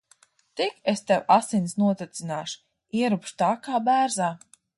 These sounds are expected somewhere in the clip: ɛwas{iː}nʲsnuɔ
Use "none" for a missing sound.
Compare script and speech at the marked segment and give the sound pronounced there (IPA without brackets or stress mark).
i